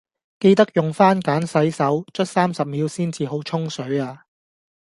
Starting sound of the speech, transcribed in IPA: k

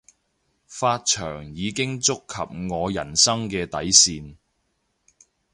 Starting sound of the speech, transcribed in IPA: f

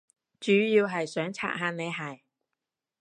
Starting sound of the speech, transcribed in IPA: t͡ʃ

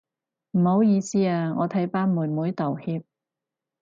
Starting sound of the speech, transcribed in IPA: m̩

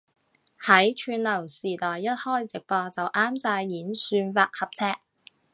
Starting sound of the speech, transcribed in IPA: h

